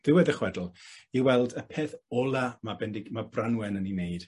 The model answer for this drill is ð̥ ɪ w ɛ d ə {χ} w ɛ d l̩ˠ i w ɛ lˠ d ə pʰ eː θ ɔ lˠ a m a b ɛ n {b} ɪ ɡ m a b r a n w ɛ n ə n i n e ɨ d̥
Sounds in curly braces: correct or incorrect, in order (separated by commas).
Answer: correct, incorrect